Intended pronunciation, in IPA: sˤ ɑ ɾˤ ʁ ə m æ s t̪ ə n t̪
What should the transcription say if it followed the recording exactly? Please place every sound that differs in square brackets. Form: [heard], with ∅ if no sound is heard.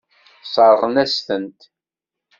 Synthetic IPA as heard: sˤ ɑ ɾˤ ʁ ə [n] æ s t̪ ə n t̪